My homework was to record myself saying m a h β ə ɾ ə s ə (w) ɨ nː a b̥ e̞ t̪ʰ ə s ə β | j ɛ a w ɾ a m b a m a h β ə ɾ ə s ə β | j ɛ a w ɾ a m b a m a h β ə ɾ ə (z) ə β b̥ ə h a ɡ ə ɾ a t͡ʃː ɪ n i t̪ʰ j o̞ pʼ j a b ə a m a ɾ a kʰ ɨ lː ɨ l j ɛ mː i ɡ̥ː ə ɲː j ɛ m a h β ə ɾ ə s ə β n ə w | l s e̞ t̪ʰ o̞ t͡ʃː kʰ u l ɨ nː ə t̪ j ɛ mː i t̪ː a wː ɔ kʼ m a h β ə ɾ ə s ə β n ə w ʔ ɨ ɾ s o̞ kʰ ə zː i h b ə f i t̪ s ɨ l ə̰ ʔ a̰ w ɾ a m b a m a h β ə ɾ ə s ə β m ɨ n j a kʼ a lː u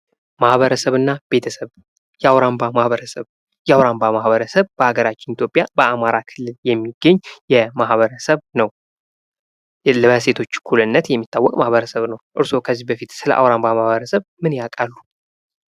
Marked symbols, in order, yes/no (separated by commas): no, no